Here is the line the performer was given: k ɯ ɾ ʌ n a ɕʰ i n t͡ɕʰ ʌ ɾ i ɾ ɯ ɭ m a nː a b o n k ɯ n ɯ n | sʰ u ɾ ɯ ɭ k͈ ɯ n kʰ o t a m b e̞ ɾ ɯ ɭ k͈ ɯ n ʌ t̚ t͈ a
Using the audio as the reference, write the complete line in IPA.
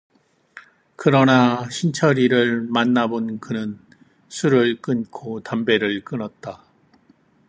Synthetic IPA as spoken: k ɯ ɾ ʌ n a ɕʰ i n t͡ɕʰ ʌ ɾ i ɾ ɯ ɭ m a nː a b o n k ɯ n ɯ n | sʰ u ɾ ɯ ɭ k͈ ɯ n kʰ o t a m b e̞ ɾ ɯ ɭ k͈ ɯ n ʌ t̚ t͈ a